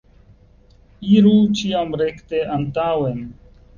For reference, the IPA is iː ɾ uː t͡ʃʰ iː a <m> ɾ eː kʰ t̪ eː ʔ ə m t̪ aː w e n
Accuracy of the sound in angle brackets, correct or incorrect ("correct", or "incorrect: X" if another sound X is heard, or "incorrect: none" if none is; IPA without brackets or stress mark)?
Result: correct